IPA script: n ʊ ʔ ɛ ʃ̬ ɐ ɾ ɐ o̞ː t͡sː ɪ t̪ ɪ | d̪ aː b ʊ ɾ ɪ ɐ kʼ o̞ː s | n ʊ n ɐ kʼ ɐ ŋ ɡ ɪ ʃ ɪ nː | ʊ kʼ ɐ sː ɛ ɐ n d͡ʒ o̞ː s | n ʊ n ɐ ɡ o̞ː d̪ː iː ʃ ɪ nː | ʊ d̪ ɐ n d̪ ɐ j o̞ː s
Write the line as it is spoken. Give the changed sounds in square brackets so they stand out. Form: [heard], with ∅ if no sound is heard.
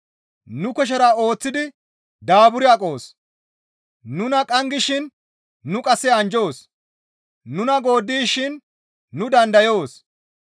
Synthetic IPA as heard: n ʊ [k] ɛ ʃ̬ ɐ ɾ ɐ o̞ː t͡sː ɪ [d̪] ɪ | d̪ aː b ʊ ɾ ɪ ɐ kʼ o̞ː s | n ʊ n ɐ kʼ ɐ ŋ ɡ ɪ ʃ ɪ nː | ʊ kʼ ɐ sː ɛ ɐ n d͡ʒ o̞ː s | n ʊ n ɐ ɡ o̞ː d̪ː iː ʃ ɪ nː | ʊ d̪ ɐ n d̪ ɐ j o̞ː s